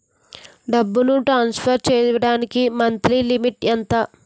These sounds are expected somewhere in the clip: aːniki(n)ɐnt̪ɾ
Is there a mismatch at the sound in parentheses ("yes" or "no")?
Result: yes